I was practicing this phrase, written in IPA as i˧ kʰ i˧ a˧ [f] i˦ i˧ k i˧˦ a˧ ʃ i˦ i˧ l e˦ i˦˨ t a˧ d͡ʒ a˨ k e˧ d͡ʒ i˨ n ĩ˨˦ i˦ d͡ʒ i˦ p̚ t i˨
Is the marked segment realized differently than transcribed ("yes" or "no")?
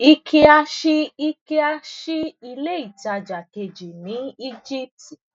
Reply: yes